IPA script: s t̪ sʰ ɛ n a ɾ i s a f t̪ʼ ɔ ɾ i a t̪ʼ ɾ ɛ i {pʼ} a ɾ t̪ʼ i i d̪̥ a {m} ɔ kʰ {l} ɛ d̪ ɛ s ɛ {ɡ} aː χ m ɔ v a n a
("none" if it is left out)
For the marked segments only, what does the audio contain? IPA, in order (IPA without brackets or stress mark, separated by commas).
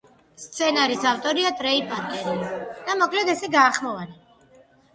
pʼ, m, l, ɡ